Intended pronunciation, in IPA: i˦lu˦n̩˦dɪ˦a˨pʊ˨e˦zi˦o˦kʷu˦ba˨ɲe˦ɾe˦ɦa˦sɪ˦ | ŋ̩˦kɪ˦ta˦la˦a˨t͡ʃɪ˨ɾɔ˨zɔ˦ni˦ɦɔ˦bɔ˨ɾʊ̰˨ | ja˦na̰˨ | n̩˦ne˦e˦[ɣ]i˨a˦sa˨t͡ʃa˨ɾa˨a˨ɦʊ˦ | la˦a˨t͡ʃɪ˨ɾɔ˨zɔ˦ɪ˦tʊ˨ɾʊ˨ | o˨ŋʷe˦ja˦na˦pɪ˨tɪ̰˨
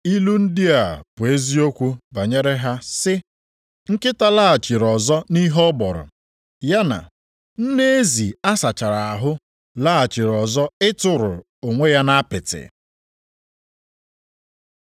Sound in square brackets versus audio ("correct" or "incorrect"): incorrect